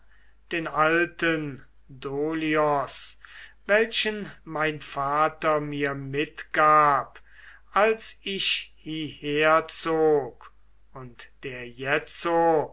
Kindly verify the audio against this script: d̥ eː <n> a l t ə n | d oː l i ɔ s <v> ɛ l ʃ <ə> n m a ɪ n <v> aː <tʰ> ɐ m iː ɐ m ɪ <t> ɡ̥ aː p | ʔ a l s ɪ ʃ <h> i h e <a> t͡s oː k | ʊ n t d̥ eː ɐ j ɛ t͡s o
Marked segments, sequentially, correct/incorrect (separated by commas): correct, correct, correct, incorrect, incorrect, correct, correct, incorrect